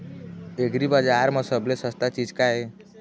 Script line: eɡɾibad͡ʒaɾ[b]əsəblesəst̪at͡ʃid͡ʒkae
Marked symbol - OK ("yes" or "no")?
no